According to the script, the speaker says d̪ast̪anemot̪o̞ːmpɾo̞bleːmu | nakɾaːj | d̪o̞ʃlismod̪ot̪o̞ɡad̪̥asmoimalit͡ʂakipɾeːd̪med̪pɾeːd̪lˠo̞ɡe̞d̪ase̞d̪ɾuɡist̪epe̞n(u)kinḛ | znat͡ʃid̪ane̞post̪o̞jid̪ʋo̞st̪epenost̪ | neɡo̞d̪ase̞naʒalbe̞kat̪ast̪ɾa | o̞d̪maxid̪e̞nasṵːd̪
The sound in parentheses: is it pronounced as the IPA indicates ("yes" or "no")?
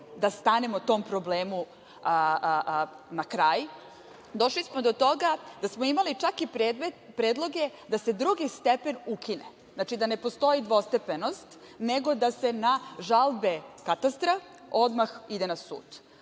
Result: yes